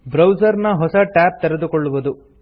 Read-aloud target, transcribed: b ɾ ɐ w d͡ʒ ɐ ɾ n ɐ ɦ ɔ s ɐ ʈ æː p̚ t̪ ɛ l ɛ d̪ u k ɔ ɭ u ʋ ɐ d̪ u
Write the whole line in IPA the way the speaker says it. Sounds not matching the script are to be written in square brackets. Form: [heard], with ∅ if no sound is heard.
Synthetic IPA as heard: b ɾ ɐ w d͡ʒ ɐ ɾ n ɐ ɦ ɔ s ɐ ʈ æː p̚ t̪ ɛ [ɾ] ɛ d̪ u k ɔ [ɭː] u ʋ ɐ d̪ u